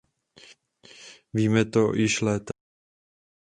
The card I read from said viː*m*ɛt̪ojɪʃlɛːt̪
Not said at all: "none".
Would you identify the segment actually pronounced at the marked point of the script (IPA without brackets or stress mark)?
m